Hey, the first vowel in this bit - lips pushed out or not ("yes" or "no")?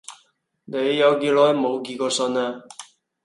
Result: no